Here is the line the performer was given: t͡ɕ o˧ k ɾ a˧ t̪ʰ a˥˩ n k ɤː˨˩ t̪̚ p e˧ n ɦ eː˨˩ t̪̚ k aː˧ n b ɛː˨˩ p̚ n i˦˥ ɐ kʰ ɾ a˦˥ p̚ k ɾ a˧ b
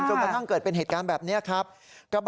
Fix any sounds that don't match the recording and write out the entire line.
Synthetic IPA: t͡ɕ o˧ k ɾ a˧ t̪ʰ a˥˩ ŋ k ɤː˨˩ t̪̚ p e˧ n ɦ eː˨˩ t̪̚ k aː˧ n b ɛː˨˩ p̚ n i˦˥ ɐ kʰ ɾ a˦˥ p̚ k ɾ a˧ b